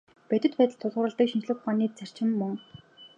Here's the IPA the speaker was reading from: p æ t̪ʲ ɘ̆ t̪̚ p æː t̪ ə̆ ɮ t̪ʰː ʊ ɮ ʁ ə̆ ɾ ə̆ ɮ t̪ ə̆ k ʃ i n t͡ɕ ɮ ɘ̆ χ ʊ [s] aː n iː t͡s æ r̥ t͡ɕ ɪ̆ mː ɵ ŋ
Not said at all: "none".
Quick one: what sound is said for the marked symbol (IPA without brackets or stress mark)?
χ